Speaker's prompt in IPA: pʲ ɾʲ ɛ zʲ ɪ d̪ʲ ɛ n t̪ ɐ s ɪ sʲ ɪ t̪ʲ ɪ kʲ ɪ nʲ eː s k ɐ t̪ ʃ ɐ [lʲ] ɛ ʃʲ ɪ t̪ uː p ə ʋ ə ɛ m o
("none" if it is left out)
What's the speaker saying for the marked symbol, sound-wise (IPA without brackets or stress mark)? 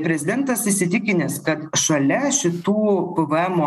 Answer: lʲ